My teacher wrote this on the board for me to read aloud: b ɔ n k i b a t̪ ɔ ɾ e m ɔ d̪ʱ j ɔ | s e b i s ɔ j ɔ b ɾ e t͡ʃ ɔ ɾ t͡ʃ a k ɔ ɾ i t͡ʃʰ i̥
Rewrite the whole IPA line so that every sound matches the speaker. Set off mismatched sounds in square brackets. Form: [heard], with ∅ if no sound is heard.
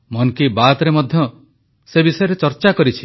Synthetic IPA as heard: [m] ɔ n k i b a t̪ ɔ ɾ e m ɔ d̪ʱ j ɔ | s e b i s ɔ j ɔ [∅] ɾ e t͡ʃ ɔ ɾ t͡ʃ a k ɔ ɾ i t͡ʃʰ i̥